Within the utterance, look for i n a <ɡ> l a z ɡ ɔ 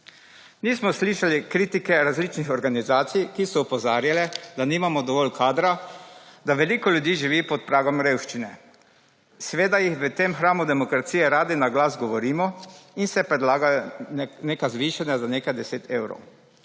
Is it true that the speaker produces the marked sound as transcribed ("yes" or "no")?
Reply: yes